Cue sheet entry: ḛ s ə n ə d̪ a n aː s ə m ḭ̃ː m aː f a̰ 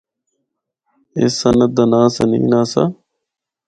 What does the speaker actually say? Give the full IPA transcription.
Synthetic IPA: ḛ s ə n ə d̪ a n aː s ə n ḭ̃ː n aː s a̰